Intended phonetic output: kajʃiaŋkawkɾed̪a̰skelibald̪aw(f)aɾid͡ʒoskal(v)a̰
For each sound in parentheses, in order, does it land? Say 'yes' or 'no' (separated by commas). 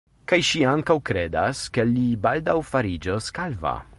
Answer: yes, yes